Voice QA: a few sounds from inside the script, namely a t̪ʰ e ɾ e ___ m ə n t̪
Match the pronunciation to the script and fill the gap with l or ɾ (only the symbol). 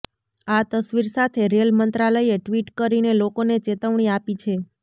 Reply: l